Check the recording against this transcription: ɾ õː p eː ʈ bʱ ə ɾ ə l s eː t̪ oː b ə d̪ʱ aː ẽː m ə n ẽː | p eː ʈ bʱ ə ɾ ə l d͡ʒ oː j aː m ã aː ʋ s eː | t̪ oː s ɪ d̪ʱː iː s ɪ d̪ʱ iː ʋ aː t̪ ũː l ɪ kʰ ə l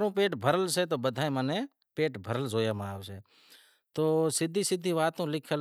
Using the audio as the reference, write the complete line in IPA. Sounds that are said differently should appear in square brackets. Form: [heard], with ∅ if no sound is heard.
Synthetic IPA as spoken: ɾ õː p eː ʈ bʱ ə ɾ ə l s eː t̪ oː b ə d̪ʱ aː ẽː m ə n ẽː | p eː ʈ bʱ ə ɾ ə l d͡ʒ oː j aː m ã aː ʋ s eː | t̪ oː s ɪ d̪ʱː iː s ɪ d̪ʱ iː ʋ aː t̪ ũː l ɪ kʰ ə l